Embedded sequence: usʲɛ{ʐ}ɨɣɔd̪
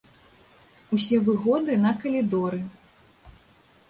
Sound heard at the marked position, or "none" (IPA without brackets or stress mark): v